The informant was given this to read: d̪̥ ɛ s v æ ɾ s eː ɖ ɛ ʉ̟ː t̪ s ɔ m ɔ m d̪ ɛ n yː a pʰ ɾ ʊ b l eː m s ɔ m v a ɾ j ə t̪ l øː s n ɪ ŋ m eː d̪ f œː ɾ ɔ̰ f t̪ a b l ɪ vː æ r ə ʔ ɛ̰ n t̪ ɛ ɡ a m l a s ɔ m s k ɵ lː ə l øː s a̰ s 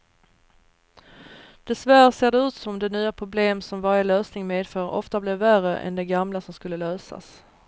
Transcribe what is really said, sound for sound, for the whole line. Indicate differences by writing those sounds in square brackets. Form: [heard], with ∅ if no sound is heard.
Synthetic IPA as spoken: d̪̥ ɛ s v æ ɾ s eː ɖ ɛ ʉ̟ː t̪ s ɔ m ɔ m d̪ ɛ n yː a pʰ ɾ ʊ b l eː m s ɔ m v a ɾ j ə [∅] l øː s n ɪ ŋ m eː d̪ f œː ɾ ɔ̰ f t̪ a b l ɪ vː æ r ə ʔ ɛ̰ n [d̪] ɛ ɡ a m l a s ɔ m s k ɵ lː ə l øː s a̰ s

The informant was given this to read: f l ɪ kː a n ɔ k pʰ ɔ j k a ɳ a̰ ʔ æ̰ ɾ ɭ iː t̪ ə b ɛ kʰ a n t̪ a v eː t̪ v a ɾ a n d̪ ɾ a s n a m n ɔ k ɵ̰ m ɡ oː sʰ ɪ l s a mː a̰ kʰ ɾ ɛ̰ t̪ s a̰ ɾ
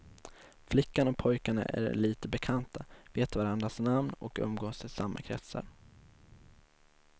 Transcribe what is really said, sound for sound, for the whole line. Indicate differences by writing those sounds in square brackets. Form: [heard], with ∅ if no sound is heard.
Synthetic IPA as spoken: f l ɪ kː a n ɔ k pʰ ɔ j k a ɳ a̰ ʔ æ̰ ɾ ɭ iː t̪ ə b ɛ kʰ a n t̪ a v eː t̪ v a ɾ a n d̪ ɾ a s n a m n ɔ k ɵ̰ m ɡ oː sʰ ɪ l s a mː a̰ kʰ ɾ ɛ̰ t̪ s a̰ ɾ

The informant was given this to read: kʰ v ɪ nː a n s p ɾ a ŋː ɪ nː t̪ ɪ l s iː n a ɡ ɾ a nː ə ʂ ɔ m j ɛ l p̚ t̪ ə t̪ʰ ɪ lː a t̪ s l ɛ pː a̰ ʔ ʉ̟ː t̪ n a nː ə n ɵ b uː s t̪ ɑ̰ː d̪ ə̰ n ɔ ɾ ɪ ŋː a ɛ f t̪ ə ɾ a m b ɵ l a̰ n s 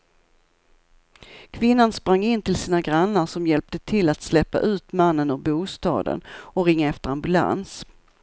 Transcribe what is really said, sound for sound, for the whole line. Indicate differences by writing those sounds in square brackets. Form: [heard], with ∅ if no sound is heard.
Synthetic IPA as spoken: kʰ v ɪ nː a n s p ɾ a ŋː ɪ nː t̪ ɪ l s iː n a ɡ ɾ a nː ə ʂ ɔ m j ɛ l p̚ t̪ ə t̪ʰ ɪ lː a t̪ s l ɛ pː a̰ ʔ ʉ̟ː t̪ [m] a nː ə n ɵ b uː s t̪ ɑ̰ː d̪ ə̰ n ɔ ɾ ɪ ŋː a ɛ f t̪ ə ɾ a m b ɵ l a̰ n s

